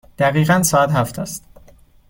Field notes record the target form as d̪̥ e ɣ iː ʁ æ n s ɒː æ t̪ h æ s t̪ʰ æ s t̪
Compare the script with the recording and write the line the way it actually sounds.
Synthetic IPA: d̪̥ æ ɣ iː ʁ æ n s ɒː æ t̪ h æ f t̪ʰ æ s t̪